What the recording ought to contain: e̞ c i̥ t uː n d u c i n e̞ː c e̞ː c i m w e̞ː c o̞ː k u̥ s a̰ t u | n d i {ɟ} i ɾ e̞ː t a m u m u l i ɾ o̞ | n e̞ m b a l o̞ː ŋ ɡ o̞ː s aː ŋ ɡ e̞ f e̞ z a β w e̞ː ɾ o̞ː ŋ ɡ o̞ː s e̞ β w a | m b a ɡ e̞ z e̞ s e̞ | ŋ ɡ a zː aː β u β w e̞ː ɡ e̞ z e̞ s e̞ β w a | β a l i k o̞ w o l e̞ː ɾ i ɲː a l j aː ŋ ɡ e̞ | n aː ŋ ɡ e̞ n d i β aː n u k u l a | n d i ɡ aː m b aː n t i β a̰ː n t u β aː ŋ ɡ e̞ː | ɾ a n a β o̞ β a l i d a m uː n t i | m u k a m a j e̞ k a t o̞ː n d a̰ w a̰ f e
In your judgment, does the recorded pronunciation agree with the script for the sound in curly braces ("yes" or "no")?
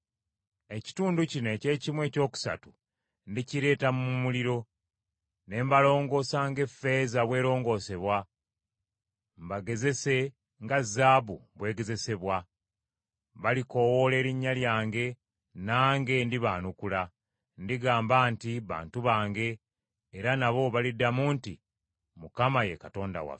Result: no